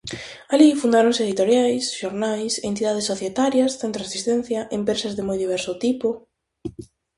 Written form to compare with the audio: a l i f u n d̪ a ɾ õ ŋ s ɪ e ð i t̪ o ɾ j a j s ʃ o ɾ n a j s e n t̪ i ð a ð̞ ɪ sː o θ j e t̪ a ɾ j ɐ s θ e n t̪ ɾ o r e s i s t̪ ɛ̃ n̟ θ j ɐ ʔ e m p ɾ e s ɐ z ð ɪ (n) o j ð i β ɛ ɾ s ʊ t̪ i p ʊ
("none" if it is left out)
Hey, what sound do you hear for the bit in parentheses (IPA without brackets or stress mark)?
m